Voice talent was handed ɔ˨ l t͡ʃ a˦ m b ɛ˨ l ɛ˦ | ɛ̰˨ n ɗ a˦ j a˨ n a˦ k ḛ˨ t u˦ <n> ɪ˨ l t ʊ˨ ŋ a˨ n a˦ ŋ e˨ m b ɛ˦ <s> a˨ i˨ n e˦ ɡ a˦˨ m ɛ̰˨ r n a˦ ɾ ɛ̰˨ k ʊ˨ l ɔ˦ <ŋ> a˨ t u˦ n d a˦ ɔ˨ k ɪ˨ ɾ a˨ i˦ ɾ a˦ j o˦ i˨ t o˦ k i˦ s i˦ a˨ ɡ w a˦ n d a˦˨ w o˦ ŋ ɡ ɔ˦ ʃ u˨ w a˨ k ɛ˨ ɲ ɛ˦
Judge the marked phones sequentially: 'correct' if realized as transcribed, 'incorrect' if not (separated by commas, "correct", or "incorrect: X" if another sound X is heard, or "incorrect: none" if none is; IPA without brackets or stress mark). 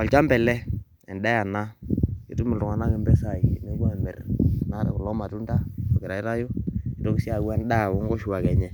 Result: incorrect: m, correct, incorrect: m